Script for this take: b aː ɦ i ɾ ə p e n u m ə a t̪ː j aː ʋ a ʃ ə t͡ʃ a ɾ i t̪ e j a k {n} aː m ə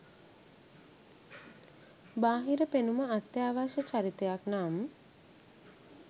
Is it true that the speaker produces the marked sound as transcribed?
yes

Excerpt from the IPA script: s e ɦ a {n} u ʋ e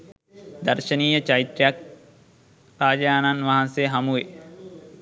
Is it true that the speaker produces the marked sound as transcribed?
no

